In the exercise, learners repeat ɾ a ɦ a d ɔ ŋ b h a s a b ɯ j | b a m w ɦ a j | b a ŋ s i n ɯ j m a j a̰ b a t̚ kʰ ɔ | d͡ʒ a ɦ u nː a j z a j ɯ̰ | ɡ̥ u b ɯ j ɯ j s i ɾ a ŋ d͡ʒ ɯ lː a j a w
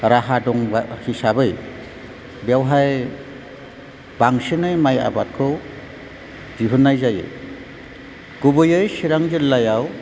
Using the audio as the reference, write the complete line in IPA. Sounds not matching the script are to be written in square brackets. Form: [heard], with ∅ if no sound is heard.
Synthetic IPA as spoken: ɾ a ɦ a d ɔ ŋ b h [i] s a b ɯ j | b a [∅] w ɦ a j | b a ŋ s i n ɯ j m a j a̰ b a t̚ kʰ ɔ | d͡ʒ [i] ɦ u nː a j z a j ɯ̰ | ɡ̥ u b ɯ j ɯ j s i ɾ a ŋ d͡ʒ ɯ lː a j a w